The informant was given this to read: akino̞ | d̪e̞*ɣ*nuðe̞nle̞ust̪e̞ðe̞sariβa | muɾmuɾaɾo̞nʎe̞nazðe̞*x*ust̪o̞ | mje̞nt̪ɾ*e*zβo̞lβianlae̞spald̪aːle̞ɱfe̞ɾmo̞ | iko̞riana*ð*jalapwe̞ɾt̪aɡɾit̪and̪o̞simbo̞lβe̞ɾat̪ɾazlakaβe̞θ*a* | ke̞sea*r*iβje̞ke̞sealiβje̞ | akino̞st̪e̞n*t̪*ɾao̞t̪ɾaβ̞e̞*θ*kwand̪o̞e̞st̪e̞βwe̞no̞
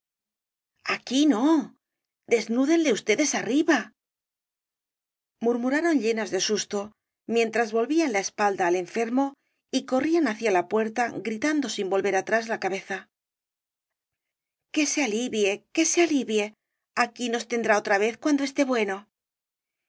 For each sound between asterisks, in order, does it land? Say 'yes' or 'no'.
no, no, no, no, yes, no, no, yes

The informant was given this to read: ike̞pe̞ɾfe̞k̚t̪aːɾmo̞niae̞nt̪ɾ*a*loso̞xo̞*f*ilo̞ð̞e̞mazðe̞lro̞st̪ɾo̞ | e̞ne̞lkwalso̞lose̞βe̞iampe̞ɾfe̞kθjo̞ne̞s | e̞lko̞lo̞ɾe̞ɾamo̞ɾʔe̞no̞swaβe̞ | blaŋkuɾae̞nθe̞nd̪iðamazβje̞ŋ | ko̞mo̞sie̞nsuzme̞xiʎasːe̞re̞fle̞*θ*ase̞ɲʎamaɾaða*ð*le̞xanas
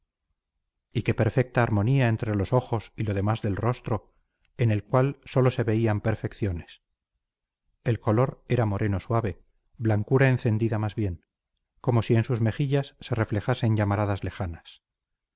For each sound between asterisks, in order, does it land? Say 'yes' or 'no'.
no, no, no, no

